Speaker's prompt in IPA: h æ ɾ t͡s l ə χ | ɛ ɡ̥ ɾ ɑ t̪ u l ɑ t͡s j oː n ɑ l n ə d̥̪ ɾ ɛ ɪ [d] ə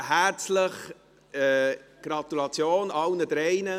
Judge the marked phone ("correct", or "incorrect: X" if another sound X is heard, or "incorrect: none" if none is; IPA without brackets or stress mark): incorrect: n